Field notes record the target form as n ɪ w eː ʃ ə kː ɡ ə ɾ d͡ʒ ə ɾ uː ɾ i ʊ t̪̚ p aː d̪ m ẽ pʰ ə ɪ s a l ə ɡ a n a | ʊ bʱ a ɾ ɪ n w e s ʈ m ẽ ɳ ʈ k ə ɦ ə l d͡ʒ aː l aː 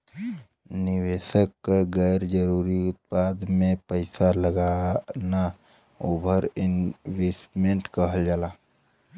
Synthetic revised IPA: n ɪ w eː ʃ ə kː ɡ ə ɾ d͡ʒ ə ɾ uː ɾ i ʊ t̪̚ p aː d̪ m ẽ p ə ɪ s a l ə ɡ a n a | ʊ bʱ ə ɾ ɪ n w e s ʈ m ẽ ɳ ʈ k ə ɦ ə l d͡ʒ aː l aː